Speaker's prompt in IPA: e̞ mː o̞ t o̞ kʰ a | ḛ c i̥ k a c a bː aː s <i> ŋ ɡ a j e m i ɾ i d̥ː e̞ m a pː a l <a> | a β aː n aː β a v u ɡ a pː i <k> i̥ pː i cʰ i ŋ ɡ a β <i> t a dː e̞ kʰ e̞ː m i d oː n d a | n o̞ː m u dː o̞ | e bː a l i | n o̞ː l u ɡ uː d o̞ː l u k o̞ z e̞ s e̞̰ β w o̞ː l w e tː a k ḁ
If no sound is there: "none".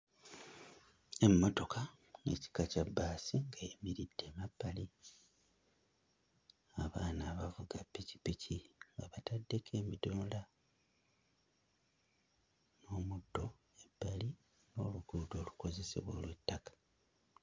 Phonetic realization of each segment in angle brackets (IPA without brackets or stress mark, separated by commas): i, i, c, a